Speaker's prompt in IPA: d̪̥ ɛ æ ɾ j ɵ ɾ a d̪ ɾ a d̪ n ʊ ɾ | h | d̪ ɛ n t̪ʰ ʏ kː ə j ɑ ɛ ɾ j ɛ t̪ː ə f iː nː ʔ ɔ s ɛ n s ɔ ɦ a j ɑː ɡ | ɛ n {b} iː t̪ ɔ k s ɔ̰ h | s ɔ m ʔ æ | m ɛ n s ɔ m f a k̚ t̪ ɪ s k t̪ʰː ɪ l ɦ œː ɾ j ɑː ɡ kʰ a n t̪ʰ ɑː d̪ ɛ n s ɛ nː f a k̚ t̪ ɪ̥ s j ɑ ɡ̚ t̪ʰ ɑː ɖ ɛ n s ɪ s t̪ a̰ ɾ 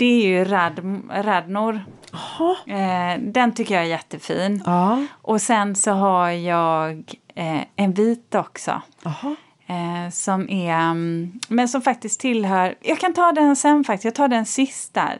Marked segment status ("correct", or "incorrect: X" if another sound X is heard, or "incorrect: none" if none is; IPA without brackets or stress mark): incorrect: v